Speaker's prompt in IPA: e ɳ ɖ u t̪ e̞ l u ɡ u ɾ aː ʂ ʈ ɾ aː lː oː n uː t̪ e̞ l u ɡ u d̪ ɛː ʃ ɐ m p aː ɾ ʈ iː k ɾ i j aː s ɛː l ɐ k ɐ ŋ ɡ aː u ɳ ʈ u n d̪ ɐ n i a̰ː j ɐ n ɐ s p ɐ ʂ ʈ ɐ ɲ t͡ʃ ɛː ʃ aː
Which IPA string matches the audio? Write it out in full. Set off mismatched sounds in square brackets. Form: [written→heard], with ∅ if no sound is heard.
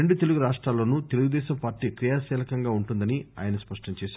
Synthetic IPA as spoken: e ɳ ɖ u t̪ e̞ l u ɡ u ɾ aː ʂ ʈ ɾ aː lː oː n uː t̪ e̞ l u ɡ u d̪ ɛː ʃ ɐ m p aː ɾ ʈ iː k ɾ i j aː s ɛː l ɐ k ɐ ŋ ɡ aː u ɳ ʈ u n d̪ ɐ n i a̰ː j ɐ n ɐ s p ɐ ʂ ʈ ɐ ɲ t͡ʃ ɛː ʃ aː